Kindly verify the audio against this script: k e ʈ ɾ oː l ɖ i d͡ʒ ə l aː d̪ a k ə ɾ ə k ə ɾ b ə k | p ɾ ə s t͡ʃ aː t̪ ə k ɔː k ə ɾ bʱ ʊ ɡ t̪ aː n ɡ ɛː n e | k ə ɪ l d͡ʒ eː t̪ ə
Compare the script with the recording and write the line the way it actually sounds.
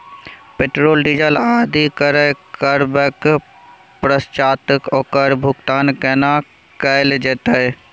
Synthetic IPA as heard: p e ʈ ɾ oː l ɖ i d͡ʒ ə l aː d̪ i k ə ɾ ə k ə ɾ b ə k | p ɾ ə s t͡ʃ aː t̪ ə k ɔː k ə ɾ bʱ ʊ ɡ t̪ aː n k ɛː n a | k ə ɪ l d͡ʒ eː t̪ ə